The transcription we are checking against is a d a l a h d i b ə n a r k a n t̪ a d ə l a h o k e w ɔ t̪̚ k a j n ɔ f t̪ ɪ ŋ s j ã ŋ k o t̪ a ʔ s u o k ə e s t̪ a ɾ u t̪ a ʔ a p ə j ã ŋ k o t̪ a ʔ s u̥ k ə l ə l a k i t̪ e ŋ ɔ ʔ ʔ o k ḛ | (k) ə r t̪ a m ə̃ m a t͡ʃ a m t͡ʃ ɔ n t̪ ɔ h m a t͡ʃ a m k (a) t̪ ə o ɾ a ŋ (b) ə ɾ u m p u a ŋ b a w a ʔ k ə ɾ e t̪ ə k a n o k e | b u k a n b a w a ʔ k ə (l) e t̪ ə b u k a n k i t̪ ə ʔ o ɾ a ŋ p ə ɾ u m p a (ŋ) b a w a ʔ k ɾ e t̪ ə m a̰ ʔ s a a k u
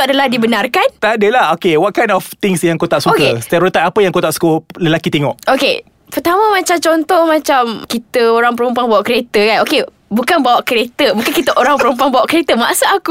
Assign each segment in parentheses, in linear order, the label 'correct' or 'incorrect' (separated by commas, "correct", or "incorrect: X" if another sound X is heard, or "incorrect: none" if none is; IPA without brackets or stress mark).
incorrect: p, incorrect: i, incorrect: p, incorrect: ɾ, correct